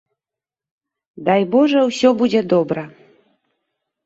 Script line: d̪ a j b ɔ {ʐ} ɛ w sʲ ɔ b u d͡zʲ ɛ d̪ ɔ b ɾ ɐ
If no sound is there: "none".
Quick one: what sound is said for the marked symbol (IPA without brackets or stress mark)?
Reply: ʐ